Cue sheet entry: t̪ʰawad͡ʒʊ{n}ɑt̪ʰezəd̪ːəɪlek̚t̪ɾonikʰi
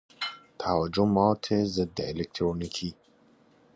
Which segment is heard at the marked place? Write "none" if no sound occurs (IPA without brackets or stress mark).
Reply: m